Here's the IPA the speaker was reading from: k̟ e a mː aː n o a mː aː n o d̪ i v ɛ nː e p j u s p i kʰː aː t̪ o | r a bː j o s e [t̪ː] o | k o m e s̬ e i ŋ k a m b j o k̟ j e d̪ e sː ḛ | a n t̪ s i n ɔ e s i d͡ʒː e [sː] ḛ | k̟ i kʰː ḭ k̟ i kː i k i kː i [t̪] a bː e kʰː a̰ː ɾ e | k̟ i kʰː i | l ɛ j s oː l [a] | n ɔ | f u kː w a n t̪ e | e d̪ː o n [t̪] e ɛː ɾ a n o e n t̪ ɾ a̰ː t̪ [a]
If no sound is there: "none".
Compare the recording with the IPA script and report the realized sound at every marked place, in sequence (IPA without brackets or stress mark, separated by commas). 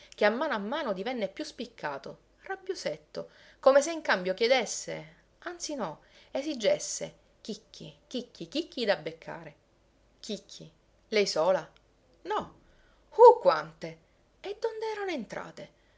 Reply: t̪ː, sː, d̪, a, d̪, e